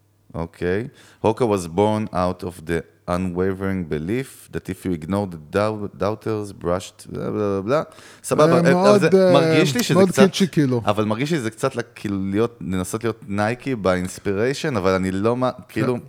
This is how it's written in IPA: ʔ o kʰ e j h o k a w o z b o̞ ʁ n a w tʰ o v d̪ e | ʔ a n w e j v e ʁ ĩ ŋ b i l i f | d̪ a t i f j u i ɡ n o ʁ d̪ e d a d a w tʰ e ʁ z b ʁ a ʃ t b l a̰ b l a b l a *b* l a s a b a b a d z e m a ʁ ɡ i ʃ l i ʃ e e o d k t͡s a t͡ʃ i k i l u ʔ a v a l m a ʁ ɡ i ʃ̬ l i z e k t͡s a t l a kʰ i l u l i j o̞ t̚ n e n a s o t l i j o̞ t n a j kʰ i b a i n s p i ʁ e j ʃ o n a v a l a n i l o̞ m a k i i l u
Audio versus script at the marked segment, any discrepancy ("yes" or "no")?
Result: no